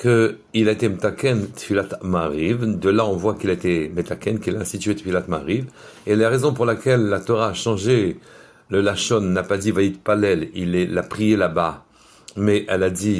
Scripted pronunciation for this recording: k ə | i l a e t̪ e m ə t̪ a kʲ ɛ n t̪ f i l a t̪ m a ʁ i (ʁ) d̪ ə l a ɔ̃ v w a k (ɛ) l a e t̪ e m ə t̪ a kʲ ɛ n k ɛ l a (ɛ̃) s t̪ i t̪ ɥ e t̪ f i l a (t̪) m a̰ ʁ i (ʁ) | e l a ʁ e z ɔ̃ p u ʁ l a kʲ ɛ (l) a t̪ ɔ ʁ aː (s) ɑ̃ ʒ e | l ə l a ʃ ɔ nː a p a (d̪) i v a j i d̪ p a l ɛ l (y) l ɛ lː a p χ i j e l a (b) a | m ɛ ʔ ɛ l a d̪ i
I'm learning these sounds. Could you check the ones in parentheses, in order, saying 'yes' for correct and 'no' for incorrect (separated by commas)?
no, no, yes, yes, no, no, no, yes, no, yes